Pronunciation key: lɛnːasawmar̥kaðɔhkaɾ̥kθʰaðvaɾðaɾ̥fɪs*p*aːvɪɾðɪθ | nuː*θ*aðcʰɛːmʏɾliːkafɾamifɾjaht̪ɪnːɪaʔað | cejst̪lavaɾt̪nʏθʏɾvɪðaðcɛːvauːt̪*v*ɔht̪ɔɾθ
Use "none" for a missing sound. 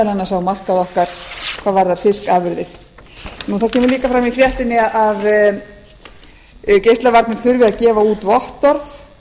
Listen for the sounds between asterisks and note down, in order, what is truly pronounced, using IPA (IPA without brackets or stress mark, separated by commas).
k, θ, v